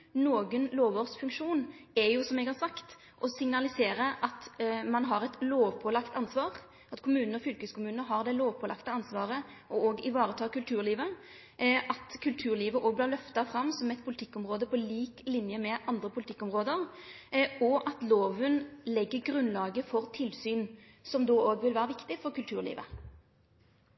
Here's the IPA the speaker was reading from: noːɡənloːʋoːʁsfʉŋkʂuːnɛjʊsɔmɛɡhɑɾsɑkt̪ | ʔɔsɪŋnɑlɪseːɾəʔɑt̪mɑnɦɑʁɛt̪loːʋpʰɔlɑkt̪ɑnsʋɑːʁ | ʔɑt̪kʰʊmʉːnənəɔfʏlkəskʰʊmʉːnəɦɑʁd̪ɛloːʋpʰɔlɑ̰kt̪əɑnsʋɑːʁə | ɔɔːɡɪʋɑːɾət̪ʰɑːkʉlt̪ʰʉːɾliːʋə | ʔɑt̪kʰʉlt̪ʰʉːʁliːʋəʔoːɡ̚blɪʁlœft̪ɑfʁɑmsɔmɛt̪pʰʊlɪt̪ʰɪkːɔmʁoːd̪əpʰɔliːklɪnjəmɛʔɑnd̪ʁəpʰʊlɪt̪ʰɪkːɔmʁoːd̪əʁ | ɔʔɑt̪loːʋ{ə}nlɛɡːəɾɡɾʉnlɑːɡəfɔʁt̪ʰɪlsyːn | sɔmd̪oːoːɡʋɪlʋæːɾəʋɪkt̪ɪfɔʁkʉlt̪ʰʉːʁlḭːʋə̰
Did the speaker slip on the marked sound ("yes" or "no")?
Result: no